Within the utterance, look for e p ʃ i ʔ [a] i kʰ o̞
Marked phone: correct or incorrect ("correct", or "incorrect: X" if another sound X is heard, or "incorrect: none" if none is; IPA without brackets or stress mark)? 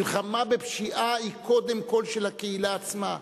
correct